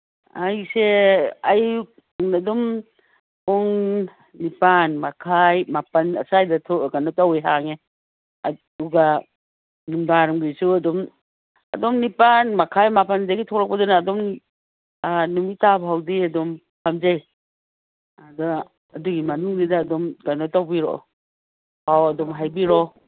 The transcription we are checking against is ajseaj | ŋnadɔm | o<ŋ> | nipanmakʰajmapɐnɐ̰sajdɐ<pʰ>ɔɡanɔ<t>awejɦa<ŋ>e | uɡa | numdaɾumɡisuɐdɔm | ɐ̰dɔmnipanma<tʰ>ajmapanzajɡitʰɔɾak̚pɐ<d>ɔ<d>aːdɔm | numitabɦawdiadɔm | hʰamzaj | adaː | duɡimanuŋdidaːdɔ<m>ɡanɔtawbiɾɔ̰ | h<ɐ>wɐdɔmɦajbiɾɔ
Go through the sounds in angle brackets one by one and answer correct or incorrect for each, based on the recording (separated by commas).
correct, incorrect, correct, correct, incorrect, correct, incorrect, correct, incorrect